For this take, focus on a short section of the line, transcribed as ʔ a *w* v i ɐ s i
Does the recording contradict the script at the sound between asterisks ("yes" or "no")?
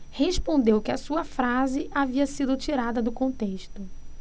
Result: yes